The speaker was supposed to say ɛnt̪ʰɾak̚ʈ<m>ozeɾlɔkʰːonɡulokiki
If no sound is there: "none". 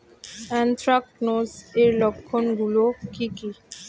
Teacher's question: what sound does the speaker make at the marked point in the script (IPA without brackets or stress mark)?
n